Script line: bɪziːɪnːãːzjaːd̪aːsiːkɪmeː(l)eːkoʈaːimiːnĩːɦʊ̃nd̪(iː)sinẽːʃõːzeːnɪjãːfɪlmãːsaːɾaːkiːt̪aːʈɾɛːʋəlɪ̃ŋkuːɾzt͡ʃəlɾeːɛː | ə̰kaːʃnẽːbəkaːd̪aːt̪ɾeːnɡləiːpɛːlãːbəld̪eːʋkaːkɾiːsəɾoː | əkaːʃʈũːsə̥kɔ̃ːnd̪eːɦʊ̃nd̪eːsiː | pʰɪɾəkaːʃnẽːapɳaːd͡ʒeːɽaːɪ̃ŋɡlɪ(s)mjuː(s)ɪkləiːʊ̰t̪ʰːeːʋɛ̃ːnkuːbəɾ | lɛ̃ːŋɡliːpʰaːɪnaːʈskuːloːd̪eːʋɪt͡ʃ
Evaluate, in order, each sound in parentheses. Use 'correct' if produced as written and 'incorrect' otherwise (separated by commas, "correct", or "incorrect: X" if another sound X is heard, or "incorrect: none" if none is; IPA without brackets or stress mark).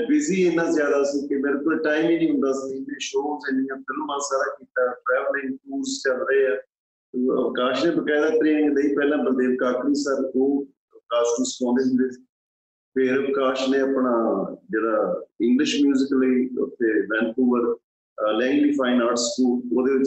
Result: incorrect: ɾ, incorrect: aː, incorrect: ʃ, incorrect: z